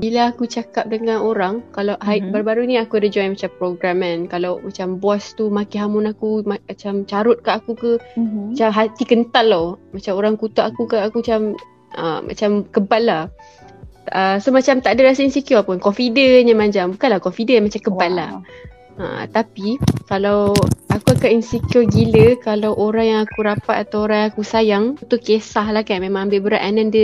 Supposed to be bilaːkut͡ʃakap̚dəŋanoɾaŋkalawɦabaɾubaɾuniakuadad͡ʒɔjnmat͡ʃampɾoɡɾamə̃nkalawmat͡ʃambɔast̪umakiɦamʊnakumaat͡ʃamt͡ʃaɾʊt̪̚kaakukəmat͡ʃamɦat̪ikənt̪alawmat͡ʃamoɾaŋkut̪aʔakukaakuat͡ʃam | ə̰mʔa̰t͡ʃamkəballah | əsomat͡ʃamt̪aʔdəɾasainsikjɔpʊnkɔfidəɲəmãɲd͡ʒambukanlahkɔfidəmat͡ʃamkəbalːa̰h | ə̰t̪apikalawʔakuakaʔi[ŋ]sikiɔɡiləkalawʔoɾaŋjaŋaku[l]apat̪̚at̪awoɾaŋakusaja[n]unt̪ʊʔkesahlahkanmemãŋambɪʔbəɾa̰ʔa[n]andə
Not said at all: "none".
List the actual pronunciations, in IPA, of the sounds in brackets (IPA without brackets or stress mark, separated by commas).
n, ɾ, ŋ, n